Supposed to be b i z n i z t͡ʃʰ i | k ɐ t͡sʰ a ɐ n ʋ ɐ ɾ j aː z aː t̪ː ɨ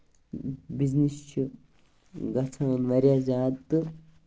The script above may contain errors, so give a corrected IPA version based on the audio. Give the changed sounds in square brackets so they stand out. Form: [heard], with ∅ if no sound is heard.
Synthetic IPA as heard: b i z n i [s] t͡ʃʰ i | [ɡ] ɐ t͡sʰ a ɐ n ʋ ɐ ɾ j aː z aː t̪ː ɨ